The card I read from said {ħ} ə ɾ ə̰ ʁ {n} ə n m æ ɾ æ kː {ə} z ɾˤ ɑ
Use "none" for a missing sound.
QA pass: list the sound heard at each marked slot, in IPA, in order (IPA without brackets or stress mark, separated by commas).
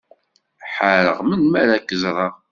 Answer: ħ, m, ə